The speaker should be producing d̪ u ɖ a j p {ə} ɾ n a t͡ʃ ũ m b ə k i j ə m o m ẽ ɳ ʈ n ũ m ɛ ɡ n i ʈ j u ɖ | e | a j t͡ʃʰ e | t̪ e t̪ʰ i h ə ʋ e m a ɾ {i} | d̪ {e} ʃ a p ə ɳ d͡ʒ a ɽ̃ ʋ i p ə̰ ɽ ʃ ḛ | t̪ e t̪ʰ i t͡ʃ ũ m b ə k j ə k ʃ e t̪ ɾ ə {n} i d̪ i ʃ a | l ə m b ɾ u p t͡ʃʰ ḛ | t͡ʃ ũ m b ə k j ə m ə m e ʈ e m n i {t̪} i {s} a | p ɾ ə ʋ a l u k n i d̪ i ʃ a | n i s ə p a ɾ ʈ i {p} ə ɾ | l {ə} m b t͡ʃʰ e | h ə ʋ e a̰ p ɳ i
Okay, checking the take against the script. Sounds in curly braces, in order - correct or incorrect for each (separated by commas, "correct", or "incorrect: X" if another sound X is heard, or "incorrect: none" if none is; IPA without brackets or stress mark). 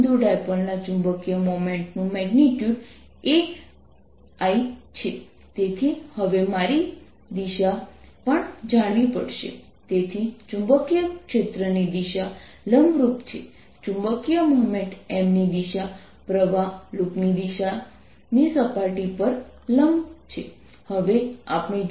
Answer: correct, correct, incorrect: i, correct, incorrect: d̪, incorrect: ʃ, correct, correct